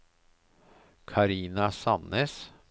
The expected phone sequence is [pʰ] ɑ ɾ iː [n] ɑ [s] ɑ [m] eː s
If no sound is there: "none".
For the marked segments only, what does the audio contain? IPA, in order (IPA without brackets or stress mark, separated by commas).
kʰ, n, s, n